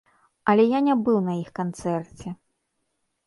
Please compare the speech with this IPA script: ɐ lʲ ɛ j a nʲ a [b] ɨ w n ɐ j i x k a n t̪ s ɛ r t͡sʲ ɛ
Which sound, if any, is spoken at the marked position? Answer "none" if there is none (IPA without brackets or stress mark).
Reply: b